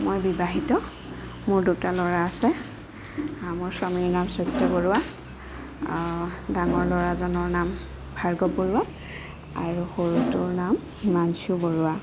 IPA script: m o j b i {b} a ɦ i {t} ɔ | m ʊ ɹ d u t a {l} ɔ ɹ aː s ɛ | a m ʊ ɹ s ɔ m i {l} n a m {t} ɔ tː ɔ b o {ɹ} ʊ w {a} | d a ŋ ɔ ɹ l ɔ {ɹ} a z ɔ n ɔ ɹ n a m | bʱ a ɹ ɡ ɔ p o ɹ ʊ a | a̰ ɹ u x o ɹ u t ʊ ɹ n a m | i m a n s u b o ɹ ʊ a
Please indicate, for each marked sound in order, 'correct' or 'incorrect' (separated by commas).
correct, correct, correct, incorrect, incorrect, correct, correct, correct